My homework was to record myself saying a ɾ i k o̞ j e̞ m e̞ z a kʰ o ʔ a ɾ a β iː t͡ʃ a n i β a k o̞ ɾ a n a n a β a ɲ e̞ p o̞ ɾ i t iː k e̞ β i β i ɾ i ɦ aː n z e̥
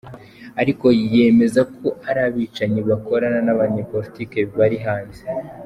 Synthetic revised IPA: a ɾ i k o̞ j e̞ m e̞ z a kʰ o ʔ a ɾ a β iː t͡ʃ a ɲ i β a k o̞ ɾ a n a n a β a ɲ e̞ p o̞ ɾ i t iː k e̞ β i β a ɾ i ɦ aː n z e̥

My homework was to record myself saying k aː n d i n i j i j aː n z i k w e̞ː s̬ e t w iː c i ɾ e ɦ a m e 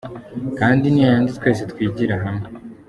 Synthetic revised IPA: k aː n d i n i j a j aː n z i t w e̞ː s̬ e t w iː ɟ i ɾ a ɦ a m e

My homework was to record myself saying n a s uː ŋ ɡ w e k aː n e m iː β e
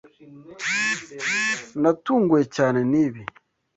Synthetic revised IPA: n a t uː ŋ ɡ w e c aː n e n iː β i

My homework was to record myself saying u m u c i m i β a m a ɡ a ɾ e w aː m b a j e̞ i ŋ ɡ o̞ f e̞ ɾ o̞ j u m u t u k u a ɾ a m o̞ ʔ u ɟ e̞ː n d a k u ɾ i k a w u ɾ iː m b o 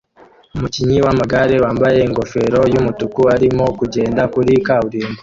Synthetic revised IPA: u m u c i ɲ i w a m a ɡ a ɾ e w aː m b a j e̞ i ŋ ɡ o̞ f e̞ ɾ o̞ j u m u t u k u a ɾ i m o̞ k u ɟ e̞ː n d a k u ɾ i k a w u ɾ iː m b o

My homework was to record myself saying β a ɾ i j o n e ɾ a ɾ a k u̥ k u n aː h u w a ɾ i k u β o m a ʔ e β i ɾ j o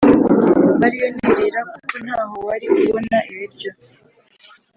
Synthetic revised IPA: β a ɾ i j o n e ɾ e ɾ a k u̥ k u n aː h o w a ɾ i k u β o n a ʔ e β i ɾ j o

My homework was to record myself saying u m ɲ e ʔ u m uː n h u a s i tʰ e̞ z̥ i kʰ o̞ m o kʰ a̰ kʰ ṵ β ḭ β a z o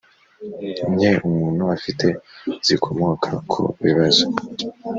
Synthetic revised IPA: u m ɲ e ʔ u m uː n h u a f i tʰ e̞ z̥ i kʰ o̞ m o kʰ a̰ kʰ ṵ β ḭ β a z o

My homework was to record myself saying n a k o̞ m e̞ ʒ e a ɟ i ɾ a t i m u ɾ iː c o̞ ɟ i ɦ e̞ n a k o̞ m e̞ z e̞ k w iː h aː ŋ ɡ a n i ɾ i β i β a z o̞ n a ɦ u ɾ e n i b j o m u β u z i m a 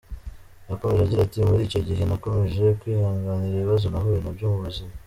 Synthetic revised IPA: n a k o̞ m e̞ ʒ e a ɟ i ɾ a t i m u ɾ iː c o̞ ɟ i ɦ e̞ n a k o̞ m e̞ ʒ e̞ k w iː h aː ŋ ɡ a n i ɾ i β i β a z o̞ n a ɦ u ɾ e n a b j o m u β u z i m a

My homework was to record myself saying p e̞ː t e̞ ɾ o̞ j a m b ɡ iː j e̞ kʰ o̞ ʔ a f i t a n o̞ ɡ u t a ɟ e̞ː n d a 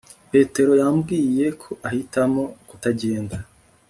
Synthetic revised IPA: p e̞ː t e̞ ɾ o̞ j a m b ɡ iː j e̞ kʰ o̞ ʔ a h i t a m o̞ k u t a ɟ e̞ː n d a

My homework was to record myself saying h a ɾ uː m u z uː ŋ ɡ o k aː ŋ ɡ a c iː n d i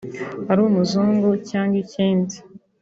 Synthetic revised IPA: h a ɾ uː m u z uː ŋ ɡ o c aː ŋ ɡ i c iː n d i

